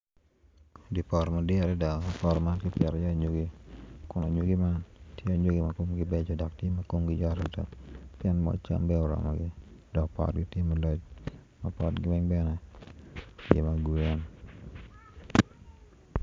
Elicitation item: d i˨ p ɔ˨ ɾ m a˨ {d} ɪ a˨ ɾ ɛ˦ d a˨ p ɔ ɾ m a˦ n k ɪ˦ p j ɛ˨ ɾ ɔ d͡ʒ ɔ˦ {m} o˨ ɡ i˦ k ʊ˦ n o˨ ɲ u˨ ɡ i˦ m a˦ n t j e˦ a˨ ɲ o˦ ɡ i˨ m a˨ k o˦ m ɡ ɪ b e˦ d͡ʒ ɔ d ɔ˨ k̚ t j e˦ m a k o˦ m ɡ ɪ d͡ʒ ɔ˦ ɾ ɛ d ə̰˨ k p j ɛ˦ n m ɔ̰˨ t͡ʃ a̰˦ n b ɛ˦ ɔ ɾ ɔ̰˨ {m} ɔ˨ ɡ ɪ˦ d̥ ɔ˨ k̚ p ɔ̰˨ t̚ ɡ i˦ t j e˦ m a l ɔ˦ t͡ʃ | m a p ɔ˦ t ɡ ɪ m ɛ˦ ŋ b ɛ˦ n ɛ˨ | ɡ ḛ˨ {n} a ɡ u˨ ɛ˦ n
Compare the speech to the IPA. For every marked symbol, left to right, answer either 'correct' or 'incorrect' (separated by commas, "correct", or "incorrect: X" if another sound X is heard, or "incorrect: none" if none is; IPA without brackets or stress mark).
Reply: correct, incorrect: ɲ, correct, incorrect: m